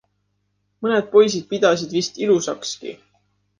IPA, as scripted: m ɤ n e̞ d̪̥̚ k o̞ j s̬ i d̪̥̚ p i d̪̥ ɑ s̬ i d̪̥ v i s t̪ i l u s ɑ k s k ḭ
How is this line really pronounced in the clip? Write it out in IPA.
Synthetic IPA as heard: m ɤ n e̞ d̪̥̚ p o̞ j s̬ i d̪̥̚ p i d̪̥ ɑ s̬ i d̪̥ v i s t̪ i l u s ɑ k s k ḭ